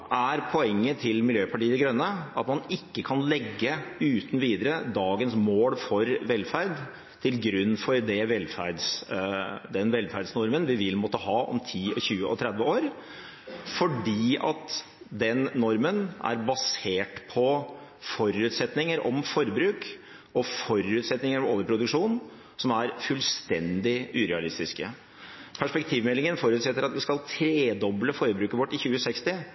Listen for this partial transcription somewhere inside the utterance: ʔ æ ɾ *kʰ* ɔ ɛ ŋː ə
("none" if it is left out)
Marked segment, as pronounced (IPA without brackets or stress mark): pʰ